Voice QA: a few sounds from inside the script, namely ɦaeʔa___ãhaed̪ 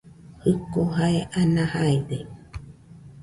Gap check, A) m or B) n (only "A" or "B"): B